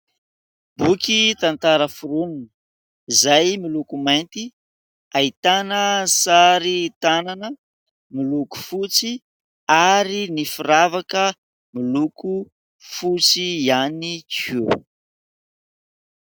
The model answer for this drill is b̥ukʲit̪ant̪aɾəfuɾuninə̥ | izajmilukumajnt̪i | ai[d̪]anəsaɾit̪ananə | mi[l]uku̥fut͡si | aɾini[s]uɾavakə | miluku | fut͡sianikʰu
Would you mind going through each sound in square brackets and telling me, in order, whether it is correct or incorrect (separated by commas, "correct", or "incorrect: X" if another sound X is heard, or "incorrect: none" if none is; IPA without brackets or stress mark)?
incorrect: t̪, correct, incorrect: f